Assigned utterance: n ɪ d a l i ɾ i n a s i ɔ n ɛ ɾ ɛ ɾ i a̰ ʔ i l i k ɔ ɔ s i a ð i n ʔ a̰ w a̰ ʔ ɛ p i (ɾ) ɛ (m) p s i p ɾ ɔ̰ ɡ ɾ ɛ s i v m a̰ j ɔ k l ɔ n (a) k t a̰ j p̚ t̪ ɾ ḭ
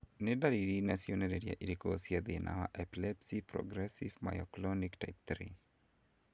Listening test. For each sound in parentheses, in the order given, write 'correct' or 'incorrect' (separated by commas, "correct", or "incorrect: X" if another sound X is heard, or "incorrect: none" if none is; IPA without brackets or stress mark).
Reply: incorrect: l, incorrect: none, incorrect: i